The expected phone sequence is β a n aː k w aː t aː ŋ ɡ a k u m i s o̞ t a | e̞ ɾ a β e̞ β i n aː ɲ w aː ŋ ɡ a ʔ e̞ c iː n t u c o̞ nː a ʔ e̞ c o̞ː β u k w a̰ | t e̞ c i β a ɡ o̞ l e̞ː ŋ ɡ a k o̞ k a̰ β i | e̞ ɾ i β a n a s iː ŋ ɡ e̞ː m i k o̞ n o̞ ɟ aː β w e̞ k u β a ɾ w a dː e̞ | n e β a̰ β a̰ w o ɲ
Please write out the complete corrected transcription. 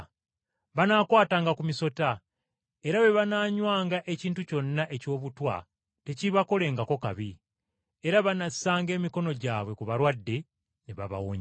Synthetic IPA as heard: β a n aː k w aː t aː ŋ ɡ a k u m i s o̞ t a | e̞ ɾ a β e̞ β a n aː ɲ w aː ŋ ɡ a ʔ e̞ c iː n t u c o̞ nː a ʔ e̞ c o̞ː β u t w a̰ | t e̞ c i β a k o̞ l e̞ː ŋ ɡ a k o̞ k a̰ β i | e̞ ɾ a β a n a s aː ŋ ɡ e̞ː m i k o̞ n o̞ ɟ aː β w e̞ k u β a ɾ w a dː e̞ | n e β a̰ β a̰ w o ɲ